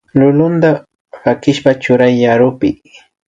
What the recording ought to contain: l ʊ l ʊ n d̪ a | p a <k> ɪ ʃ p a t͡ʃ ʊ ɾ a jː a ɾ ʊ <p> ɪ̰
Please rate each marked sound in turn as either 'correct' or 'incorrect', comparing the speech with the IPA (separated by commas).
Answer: correct, correct